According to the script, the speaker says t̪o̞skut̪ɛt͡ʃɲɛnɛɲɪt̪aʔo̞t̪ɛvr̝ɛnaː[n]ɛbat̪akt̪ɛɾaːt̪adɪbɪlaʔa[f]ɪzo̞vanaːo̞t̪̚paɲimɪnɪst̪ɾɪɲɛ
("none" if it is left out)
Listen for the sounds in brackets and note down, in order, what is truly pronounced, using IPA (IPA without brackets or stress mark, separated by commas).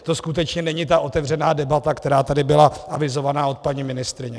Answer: d, v